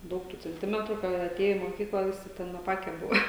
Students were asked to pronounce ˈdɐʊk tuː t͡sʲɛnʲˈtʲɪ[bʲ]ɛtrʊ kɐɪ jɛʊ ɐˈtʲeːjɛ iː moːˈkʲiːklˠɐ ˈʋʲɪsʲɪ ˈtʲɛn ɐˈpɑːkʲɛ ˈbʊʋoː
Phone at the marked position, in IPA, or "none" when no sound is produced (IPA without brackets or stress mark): mʲ